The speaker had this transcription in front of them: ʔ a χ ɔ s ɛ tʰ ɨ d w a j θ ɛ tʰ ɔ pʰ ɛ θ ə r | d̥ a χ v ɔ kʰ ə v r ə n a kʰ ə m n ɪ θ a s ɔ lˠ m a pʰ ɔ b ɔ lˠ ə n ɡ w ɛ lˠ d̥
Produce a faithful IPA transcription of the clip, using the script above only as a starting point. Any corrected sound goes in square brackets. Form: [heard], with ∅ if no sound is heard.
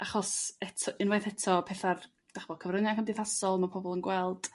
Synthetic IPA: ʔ a χ ɔ s ɛ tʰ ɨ [n] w a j θ ɛ tʰ ɔ pʰ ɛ θ [a] r | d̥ a χ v ɔ kʰ ə v r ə n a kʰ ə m [d] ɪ θ a s ɔ lˠ m a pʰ ɔ b ɔ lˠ ə n ɡ w ɛ lˠ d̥